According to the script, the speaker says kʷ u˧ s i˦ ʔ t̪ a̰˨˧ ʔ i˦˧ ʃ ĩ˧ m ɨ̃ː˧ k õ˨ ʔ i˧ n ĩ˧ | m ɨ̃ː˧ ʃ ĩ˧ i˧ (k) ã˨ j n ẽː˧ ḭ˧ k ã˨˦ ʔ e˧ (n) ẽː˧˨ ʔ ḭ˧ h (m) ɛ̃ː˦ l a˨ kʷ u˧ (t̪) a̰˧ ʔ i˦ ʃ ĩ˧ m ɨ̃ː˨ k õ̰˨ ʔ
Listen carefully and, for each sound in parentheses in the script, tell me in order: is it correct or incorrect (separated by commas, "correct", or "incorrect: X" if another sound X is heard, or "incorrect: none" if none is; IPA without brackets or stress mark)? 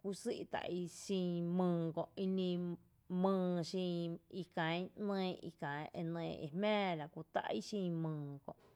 correct, correct, correct, correct